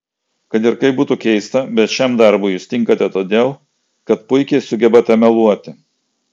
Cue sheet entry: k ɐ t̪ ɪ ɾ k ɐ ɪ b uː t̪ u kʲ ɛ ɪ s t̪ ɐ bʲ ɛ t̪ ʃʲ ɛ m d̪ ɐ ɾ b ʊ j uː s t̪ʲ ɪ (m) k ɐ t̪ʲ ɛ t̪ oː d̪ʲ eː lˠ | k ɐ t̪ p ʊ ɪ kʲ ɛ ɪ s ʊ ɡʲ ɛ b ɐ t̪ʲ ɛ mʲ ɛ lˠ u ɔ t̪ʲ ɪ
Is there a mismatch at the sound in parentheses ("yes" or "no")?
yes